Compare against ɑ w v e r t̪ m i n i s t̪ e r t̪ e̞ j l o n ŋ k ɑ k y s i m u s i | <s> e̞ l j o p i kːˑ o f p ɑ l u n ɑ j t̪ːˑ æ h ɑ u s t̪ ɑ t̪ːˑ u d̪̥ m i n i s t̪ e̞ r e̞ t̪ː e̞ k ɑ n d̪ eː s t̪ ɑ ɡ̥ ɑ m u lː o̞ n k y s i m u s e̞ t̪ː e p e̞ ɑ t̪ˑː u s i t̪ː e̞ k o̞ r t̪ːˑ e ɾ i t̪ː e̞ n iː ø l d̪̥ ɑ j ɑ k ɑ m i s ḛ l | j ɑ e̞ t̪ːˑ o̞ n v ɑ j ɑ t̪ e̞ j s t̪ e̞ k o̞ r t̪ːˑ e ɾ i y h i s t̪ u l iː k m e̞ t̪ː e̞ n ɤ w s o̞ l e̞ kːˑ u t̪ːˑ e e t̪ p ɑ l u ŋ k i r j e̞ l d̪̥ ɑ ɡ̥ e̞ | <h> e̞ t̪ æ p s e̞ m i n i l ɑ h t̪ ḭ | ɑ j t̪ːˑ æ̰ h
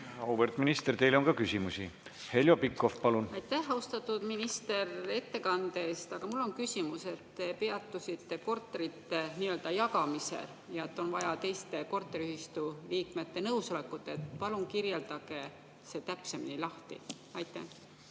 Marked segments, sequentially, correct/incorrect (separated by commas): incorrect, incorrect